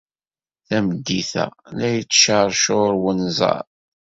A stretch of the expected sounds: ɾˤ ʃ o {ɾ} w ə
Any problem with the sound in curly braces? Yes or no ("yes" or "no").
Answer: no